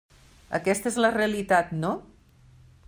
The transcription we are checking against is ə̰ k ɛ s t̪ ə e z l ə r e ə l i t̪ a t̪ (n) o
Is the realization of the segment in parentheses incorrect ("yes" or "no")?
no